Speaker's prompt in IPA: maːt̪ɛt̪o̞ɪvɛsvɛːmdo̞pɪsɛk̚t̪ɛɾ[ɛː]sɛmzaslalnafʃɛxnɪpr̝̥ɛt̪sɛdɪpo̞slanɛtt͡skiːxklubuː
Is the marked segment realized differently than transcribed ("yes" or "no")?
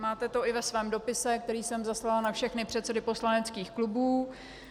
yes